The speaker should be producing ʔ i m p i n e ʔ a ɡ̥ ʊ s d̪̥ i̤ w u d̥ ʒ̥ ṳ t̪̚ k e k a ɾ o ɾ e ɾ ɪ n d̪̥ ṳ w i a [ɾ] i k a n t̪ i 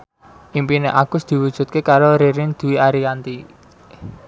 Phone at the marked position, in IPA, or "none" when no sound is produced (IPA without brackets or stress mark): ɾ